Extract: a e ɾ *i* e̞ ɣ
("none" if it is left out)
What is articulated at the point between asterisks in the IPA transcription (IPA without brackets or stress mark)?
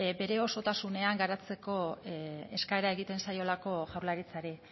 a